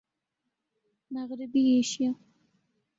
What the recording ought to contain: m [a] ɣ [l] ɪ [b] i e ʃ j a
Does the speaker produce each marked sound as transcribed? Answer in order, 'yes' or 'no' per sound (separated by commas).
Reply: yes, no, yes